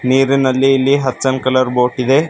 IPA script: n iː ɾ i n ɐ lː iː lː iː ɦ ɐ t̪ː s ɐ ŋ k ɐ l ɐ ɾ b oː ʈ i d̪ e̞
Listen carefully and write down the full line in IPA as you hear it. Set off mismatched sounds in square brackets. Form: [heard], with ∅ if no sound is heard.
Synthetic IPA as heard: n iː ɾ i n ɐ lː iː lː [i] ɦ ɐ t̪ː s ɐ [n] k ɐ l ɐ ɾ b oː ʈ i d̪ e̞